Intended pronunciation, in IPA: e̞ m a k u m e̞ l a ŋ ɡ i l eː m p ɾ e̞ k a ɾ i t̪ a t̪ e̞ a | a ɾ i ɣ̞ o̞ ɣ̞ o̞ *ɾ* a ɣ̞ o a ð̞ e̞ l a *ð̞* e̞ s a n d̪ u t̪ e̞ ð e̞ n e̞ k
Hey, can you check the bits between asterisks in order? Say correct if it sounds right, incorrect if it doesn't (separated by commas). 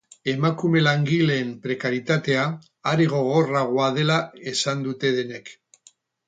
incorrect, incorrect